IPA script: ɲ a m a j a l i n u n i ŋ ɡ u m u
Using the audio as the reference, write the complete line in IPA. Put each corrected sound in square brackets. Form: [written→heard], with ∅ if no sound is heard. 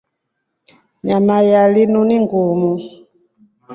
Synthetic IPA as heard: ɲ a m a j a l i n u n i ŋ ɡ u m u